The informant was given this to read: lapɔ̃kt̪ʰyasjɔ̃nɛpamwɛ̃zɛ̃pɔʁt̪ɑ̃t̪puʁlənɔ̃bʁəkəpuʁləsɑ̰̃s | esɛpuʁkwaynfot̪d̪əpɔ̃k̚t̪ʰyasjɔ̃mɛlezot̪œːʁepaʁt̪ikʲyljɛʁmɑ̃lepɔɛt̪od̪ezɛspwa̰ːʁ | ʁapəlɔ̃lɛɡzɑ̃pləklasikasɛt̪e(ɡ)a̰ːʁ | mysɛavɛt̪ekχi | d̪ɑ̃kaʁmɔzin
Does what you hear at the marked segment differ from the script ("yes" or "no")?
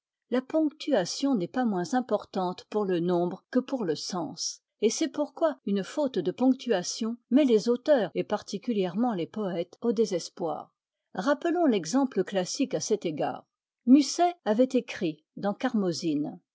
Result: no